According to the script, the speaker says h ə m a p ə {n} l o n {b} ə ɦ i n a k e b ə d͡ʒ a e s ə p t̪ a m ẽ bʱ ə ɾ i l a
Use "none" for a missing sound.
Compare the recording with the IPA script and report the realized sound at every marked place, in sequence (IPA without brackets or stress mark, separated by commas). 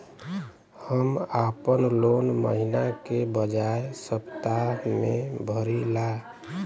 n, m